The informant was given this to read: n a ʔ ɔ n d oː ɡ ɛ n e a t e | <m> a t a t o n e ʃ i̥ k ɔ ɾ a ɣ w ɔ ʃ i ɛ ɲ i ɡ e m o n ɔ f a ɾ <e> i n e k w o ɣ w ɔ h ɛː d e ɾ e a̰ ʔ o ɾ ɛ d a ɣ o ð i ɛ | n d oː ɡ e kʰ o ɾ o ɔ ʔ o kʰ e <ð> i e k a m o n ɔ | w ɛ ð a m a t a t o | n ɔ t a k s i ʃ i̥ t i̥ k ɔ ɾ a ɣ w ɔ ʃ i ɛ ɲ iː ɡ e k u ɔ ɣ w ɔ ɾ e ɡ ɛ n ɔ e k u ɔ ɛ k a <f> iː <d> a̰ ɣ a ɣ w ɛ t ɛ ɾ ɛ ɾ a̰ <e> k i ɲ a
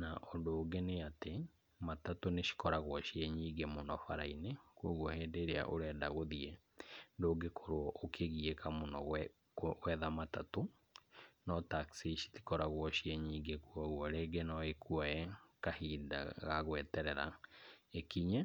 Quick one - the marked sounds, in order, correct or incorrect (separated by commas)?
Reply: correct, incorrect, incorrect, incorrect, correct, correct